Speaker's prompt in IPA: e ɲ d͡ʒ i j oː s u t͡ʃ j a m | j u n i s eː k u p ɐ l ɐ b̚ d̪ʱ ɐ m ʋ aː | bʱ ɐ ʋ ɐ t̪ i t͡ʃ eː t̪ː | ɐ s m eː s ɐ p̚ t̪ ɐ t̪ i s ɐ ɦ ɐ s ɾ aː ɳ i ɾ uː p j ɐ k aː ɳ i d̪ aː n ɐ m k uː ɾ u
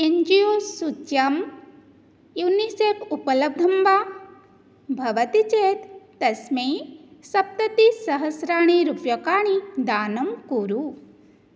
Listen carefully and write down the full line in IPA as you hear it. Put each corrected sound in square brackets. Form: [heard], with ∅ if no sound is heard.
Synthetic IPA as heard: e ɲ d͡ʒ i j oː s u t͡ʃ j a m | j u n i s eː k u p ɐ l ɐ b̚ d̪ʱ ɐ m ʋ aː | bʱ ɐ ʋ ɐ t̪ i t͡ʃ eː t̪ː | ɐ s m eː s ɐ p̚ t̪ ɐ t̪ i s ɐ ɦ ɐ s ɾ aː ɳ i ɾ [u] p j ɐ k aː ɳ i d̪ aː n ɐ m k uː ɾ u